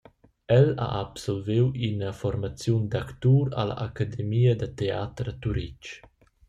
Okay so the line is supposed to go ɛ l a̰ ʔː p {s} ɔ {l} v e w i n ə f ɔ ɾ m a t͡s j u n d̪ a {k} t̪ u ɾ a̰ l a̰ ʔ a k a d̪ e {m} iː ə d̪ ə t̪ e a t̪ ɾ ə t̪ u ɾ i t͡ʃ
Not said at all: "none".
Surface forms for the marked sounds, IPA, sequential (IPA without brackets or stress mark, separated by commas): s, l, k, m